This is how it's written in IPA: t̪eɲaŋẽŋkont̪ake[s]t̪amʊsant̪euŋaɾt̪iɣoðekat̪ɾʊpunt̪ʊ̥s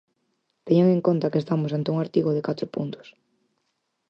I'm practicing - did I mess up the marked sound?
no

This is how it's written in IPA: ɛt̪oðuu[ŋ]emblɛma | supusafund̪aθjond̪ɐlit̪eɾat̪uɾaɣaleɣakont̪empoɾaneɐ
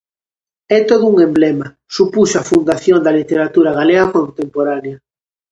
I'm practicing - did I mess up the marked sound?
no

